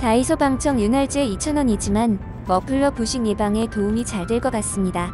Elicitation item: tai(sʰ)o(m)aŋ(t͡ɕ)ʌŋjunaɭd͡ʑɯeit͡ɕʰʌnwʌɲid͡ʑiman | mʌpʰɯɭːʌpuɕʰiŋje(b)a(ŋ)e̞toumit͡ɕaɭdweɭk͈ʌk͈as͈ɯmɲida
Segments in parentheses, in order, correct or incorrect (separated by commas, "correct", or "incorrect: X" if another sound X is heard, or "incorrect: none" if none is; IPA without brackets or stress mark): correct, incorrect: b, incorrect: t͡ɕʰ, correct, correct